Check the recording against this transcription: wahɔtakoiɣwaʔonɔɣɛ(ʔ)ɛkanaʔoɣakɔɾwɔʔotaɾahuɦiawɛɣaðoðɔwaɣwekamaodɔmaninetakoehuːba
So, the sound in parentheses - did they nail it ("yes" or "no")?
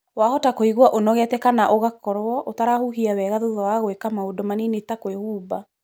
no